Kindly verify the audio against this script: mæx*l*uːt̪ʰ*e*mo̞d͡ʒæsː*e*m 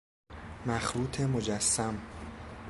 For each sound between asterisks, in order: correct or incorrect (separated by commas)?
incorrect, correct, incorrect